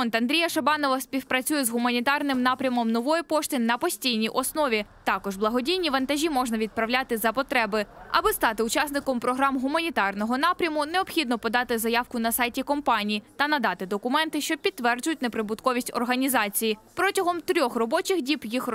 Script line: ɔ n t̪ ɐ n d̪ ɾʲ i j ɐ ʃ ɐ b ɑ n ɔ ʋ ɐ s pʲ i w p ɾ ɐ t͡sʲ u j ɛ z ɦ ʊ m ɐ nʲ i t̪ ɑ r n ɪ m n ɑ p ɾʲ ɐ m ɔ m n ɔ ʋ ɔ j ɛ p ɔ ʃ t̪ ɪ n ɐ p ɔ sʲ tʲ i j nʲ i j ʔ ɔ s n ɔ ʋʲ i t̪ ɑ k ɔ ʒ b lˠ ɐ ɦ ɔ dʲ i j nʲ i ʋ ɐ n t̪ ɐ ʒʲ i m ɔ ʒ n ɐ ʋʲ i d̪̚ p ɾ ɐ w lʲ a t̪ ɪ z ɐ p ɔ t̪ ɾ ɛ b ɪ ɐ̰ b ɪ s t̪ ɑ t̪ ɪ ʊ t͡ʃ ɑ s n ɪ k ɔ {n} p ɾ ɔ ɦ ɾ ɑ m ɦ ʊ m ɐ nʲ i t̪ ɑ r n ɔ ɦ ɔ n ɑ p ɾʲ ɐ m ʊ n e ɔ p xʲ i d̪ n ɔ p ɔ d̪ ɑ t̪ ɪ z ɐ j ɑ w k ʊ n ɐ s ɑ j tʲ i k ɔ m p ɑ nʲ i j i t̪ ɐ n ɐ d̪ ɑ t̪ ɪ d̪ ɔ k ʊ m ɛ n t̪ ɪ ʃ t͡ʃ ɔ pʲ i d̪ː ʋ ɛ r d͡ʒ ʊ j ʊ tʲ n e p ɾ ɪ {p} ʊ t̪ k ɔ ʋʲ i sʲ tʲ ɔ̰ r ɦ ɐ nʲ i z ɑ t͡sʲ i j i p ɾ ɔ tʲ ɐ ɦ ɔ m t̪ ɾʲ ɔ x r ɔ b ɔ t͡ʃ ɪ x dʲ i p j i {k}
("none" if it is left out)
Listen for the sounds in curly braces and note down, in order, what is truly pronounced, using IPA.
m, b, x

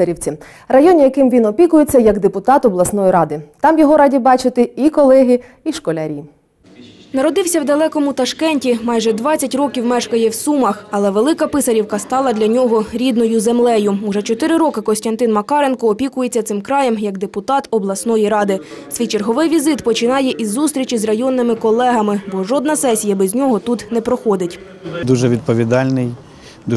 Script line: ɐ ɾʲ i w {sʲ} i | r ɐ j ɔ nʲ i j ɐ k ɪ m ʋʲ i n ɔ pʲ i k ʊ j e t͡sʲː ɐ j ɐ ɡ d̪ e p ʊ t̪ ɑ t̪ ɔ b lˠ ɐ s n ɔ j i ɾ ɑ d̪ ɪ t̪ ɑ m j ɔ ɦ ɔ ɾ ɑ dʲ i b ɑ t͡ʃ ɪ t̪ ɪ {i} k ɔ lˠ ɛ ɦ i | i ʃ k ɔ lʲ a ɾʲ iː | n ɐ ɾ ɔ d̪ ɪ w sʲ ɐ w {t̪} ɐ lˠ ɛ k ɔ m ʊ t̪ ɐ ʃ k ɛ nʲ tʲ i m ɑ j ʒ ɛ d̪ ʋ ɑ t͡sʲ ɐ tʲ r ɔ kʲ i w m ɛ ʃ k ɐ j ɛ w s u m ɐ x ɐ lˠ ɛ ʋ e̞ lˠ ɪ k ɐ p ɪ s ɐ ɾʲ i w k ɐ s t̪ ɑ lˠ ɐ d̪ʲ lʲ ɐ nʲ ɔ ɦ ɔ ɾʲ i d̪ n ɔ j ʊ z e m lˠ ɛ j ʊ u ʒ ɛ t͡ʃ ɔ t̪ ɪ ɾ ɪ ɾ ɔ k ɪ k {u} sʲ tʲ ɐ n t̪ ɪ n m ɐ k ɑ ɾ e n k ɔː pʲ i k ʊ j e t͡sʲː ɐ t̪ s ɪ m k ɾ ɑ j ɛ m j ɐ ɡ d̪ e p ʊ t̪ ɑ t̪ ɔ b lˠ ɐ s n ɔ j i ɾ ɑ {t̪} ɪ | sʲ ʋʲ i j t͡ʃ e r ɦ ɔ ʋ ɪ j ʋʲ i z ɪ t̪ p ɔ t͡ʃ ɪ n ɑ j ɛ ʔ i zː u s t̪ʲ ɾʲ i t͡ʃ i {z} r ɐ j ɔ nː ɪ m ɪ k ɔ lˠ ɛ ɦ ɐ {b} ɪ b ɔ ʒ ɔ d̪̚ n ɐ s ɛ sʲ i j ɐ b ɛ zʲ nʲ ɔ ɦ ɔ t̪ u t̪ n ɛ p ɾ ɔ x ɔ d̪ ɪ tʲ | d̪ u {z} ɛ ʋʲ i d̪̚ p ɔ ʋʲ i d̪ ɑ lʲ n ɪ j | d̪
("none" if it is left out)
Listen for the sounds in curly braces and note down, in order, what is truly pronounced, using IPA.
t͡sʲ, i, d̪, ɔ, d̪, z, m, ʒ

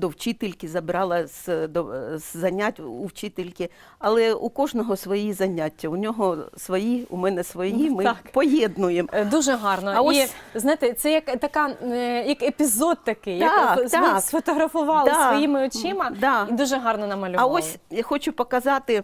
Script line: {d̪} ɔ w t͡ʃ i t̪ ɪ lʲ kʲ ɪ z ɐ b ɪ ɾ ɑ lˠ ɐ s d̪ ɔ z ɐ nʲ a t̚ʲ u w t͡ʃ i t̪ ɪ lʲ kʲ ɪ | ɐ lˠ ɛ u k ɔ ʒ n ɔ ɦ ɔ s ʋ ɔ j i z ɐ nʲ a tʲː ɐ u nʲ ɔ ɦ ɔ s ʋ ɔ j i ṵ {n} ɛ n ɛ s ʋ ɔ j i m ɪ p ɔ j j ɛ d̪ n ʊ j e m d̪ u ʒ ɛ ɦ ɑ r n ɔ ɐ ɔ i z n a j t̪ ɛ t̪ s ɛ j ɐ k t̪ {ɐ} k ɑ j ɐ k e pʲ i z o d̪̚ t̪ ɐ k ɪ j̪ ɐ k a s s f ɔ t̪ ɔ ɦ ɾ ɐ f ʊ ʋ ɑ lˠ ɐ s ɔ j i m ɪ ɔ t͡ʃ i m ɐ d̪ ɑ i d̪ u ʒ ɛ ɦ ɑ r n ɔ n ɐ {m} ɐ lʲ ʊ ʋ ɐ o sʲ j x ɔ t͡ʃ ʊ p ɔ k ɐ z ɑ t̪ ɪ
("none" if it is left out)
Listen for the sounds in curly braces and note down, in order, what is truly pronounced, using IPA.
d̪, m, ɐ, m

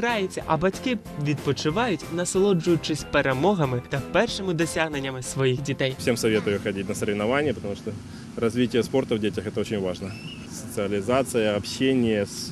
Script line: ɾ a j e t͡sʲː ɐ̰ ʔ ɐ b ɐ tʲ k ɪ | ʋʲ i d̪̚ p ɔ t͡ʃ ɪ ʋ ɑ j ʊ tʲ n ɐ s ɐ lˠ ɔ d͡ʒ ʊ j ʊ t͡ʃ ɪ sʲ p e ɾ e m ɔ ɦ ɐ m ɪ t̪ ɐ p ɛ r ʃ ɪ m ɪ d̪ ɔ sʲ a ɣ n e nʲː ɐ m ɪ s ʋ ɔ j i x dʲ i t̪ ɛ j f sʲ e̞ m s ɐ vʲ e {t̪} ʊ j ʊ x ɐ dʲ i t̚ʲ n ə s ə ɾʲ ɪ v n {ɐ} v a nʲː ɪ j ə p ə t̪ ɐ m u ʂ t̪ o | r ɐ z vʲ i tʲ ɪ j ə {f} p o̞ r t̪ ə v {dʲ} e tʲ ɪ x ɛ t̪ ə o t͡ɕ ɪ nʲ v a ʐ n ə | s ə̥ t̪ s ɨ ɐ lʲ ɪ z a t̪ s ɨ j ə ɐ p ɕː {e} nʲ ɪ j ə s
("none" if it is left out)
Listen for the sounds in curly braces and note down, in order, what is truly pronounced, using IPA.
t̪, ɐ, s, dʲ, e

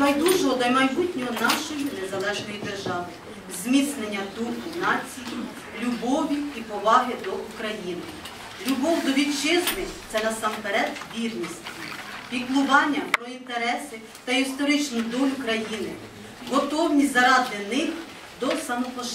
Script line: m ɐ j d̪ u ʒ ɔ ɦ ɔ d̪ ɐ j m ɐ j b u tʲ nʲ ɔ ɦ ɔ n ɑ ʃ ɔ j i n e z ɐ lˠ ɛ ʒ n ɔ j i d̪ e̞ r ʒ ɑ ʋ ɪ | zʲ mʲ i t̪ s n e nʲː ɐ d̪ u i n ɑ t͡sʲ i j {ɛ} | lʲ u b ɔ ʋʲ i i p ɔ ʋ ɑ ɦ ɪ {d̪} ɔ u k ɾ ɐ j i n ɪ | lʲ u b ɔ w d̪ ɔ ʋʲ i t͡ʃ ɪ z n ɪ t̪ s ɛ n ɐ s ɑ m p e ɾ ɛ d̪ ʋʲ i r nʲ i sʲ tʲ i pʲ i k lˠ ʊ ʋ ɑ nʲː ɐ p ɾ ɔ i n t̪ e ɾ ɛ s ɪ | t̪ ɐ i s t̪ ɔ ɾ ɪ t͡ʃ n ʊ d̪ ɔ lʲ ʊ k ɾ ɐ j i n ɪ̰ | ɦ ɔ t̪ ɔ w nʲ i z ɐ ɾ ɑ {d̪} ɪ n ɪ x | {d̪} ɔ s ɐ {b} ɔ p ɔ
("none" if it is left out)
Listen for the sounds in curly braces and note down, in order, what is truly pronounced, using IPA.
i, d̪, d̪, d̪, m

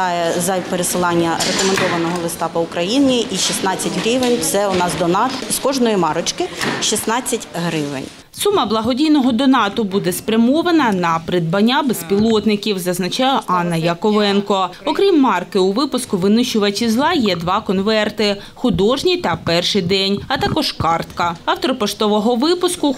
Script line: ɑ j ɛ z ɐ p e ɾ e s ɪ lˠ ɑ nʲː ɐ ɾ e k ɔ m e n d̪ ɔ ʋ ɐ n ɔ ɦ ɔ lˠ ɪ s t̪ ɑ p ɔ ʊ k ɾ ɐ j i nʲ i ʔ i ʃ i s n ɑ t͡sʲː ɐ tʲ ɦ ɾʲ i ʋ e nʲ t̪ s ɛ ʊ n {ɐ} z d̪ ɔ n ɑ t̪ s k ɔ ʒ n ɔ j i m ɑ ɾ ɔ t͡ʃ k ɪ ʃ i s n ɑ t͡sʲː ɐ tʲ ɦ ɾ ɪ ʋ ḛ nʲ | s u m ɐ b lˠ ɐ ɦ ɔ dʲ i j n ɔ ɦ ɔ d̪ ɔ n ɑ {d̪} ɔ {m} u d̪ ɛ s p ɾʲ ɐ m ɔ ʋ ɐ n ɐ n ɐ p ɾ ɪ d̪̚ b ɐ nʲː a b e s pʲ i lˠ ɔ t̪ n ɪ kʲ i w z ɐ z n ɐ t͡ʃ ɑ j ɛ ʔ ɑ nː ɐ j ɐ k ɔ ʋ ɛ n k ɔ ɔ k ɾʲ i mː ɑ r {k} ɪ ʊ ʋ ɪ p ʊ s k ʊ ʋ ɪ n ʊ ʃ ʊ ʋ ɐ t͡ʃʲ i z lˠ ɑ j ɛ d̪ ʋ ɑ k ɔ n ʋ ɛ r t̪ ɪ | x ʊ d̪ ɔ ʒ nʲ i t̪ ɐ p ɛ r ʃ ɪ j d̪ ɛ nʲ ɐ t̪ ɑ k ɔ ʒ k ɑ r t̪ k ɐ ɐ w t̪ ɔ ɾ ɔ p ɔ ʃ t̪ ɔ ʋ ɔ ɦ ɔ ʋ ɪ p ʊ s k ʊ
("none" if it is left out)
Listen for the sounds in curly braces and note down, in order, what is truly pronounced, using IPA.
ɑ, t̪, b, k

